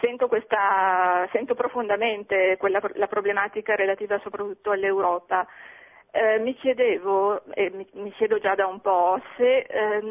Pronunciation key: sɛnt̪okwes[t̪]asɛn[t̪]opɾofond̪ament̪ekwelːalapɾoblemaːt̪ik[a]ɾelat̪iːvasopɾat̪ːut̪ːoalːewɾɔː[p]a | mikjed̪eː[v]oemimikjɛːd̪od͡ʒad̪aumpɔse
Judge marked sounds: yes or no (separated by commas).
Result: yes, yes, yes, yes, yes